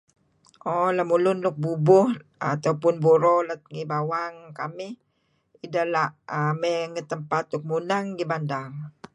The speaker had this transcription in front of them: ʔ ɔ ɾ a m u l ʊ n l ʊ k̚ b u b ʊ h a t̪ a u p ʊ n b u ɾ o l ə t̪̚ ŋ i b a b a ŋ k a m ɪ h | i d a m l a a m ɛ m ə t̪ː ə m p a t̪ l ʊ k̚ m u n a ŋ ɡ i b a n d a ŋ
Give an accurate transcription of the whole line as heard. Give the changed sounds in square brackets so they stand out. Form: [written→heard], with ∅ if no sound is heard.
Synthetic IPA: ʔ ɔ [ɾ→l] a m u l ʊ n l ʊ k̚ b u b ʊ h a t̪ a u p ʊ n b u ɾ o l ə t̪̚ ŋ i b a [b→w] a ŋ k a m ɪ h | i d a [m→∅] l a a m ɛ [m→ŋ] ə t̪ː ə m p a t̪ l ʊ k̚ m u n a ŋ ɡ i b a n d a ŋ